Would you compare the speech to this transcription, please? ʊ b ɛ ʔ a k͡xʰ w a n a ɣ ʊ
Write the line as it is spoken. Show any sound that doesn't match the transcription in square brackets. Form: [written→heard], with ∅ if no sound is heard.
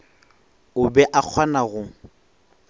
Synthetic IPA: ʊ b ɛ ʔ a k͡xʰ w a n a ɣ ʊ